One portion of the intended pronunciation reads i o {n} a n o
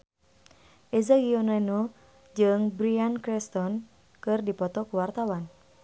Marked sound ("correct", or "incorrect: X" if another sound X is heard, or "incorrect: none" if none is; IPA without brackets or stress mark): correct